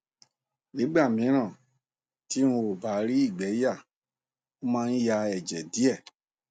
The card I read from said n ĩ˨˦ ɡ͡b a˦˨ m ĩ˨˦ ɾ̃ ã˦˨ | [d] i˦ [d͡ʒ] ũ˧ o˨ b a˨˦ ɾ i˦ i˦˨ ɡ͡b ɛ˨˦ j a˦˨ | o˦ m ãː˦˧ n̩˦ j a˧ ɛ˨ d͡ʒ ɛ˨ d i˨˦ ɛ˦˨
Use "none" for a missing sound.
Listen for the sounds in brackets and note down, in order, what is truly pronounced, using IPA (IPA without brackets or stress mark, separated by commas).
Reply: t, none